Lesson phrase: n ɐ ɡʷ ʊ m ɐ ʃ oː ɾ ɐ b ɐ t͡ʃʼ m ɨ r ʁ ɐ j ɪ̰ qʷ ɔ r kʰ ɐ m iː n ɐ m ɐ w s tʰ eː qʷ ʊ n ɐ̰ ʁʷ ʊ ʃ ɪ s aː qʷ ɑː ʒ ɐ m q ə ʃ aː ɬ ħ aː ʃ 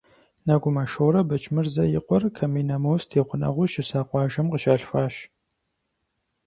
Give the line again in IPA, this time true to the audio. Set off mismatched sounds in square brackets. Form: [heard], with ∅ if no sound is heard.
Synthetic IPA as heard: n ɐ ɡʷ ʊ m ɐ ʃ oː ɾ ɐ b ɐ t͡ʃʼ m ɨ r [z] ɐ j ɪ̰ qʷ ɔ r kʰ ɐ m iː n ɐ m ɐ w s tʰ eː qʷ ʊ n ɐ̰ ʁʷ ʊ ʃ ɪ s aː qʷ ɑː ʒ ɐ m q ə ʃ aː ɬ [f] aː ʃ